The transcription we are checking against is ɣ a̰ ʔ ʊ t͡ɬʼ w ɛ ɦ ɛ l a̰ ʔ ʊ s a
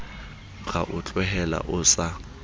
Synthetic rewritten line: ɣ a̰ ʔ ʊ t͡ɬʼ w ɛ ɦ ɛ l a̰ ʔ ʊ s a